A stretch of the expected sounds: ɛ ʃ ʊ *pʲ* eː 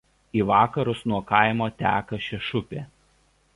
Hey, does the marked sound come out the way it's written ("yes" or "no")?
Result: yes